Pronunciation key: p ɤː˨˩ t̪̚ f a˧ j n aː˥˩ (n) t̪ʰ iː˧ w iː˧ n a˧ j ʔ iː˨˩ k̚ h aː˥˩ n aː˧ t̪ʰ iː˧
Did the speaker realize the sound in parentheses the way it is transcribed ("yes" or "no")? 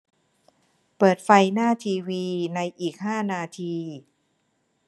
no